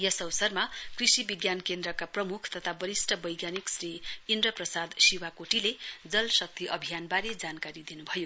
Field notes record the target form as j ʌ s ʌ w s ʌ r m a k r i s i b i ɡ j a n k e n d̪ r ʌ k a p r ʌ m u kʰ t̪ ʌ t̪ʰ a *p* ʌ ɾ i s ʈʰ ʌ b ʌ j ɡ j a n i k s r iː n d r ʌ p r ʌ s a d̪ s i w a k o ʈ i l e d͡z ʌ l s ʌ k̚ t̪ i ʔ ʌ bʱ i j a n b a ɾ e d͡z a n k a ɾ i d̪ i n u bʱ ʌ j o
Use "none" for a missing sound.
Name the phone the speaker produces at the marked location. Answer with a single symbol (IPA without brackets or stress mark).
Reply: b